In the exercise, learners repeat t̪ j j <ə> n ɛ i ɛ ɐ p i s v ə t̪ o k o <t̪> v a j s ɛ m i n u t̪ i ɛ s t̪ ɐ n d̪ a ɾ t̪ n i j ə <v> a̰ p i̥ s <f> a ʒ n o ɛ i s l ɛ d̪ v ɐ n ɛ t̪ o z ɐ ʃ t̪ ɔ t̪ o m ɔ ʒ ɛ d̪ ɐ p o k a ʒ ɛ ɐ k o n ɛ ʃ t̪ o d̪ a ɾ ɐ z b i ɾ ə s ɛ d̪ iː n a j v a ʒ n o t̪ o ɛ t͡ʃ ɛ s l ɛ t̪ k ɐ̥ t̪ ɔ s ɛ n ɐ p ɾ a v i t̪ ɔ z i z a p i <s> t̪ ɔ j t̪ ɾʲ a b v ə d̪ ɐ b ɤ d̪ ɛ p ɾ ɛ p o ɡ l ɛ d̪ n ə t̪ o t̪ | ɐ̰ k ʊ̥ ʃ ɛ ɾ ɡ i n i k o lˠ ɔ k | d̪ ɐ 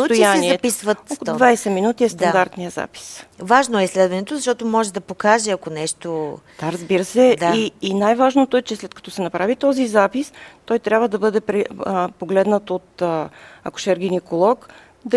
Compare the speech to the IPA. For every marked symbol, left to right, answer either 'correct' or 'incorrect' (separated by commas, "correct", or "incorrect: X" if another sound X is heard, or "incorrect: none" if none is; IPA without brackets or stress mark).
incorrect: a, incorrect: d̪, incorrect: z, incorrect: v, correct